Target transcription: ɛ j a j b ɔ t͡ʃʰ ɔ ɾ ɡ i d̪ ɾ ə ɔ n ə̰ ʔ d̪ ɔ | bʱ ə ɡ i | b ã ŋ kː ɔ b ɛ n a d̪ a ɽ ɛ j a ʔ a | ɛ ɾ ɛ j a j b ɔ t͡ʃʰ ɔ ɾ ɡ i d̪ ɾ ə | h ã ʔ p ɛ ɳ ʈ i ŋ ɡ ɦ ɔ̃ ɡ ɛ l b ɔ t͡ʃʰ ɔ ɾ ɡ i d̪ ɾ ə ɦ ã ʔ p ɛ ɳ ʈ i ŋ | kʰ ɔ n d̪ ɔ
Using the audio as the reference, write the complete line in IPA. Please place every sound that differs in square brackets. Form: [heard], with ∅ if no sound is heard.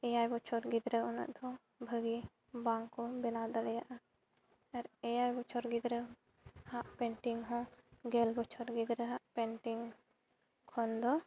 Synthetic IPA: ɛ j a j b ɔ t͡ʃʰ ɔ ɾ ɡ i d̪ ɾ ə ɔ n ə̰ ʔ d̪ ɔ | bʱ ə ɡ i | b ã ŋ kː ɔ b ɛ n a d̪ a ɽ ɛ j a ʔ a | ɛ ɾ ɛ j a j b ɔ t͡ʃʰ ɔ ɾ ɡ i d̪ ɾ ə | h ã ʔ p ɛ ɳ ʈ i ŋ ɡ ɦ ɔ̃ ɡ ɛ l b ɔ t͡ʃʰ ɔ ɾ ɡ i d̪ ɾ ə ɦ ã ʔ p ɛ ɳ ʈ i ŋ | kʰ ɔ n d̪ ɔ

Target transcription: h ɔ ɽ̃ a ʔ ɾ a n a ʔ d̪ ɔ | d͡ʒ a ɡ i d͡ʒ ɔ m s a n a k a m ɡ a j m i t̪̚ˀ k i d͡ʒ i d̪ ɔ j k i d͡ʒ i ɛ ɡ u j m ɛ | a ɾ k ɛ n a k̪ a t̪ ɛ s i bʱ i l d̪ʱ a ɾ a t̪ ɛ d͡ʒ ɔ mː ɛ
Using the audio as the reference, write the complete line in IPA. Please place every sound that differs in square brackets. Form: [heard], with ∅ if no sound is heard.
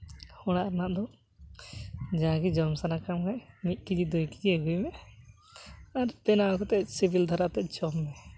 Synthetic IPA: h ɔ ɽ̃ a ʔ ɾ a n a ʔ d̪ ɔ | d͡ʒ a ɡ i d͡ʒ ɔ m s a n a k a m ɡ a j m i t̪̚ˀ k i d͡ʒ i d̪ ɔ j k i d͡ʒ i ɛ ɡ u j m ɛ | a ɾ [p] ɛ n a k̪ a t̪ ɛ s i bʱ i l d̪ʱ a ɾ a t̪ ɛ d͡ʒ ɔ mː ɛ

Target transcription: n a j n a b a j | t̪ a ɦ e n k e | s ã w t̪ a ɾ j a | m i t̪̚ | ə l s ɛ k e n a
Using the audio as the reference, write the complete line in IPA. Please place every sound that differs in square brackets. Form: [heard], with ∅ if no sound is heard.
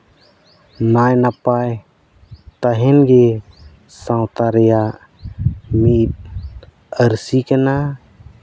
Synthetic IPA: n a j n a [p] a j | t̪ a ɦ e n [ɡ] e | s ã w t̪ a ɾ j a | m i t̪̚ | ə [ɾ] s [i] k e n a

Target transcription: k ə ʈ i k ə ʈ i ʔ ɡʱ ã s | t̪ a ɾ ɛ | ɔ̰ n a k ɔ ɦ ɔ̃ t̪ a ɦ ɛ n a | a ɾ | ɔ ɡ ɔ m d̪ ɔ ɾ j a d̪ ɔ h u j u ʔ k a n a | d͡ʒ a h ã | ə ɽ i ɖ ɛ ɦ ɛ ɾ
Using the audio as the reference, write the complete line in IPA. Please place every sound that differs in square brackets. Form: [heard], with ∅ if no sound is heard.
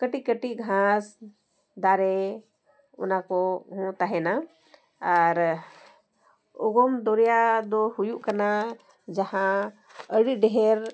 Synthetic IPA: k ə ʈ i k ə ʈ i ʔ ɡʱ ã s | [d̪] a ɾ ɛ | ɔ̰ n a k ɔ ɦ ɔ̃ t̪ a ɦ ɛ n a | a ɾ | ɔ ɡ ɔ m d̪ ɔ ɾ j a d̪ ɔ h u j u ʔ k a n a | d͡ʒ a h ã | ə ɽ i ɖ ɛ ɦ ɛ ɾ

